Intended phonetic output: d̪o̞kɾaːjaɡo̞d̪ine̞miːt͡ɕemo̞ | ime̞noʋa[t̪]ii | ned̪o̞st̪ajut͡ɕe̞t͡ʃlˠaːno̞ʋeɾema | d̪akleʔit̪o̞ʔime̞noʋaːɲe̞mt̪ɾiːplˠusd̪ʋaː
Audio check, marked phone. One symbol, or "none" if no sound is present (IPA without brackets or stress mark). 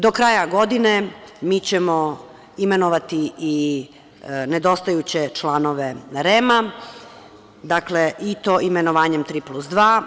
t̪